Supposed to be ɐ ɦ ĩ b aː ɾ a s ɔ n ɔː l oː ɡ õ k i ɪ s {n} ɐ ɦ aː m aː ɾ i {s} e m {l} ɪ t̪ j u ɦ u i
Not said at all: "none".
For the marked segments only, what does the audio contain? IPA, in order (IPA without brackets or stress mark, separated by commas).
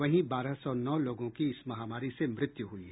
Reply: m, s, ɾ